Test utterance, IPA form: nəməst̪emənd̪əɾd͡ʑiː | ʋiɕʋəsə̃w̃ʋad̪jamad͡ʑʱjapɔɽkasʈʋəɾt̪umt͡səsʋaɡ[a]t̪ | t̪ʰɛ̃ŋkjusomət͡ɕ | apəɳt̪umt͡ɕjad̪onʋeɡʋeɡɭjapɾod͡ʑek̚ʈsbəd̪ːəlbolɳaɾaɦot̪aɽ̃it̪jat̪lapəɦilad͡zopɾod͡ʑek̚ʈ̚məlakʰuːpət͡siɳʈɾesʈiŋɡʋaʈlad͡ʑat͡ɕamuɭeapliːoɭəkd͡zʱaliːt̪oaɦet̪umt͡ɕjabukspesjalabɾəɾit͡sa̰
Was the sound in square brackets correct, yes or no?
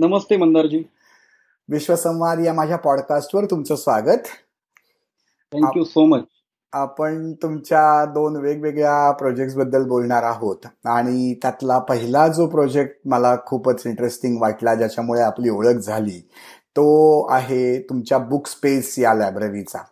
no